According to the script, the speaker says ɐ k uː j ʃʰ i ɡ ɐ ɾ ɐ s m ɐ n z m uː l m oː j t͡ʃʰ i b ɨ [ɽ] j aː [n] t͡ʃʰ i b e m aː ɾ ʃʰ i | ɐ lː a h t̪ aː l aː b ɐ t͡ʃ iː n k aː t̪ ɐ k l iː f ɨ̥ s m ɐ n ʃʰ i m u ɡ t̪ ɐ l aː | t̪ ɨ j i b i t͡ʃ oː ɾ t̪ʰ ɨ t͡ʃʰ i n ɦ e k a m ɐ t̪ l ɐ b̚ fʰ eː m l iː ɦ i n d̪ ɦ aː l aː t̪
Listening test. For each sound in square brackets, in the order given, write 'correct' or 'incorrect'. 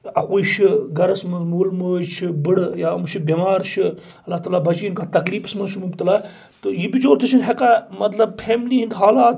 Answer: correct, incorrect

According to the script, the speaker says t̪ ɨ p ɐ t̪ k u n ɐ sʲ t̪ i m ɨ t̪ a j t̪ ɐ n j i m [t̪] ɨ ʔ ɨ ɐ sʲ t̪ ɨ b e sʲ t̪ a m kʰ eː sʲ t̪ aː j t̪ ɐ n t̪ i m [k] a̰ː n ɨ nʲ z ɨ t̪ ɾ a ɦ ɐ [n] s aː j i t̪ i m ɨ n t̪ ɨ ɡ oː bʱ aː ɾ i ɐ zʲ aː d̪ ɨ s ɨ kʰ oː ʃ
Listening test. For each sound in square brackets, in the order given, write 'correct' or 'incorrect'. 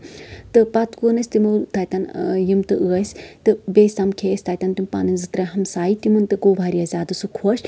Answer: correct, incorrect, incorrect

